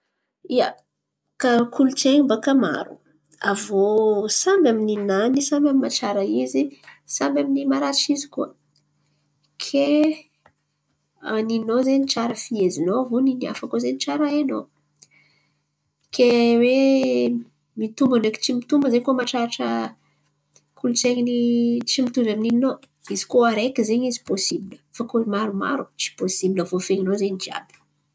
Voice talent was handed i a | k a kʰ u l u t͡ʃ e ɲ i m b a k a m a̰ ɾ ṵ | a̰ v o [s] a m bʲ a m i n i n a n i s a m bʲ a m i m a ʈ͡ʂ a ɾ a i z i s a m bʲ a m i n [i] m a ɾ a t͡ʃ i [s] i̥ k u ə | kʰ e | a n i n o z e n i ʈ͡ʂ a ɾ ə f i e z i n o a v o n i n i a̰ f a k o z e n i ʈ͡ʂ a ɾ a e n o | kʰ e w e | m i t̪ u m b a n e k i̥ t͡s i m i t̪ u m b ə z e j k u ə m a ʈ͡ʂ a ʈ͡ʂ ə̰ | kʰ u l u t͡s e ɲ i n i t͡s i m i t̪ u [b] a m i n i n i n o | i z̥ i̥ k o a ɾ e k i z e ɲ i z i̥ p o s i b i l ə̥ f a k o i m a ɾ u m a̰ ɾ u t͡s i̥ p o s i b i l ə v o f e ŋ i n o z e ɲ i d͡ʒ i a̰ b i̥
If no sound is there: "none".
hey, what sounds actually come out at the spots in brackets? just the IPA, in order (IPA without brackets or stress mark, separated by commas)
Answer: s, i, z, v